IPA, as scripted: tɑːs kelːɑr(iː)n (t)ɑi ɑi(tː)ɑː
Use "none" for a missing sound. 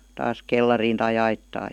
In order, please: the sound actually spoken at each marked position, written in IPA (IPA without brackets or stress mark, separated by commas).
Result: iː, t, tː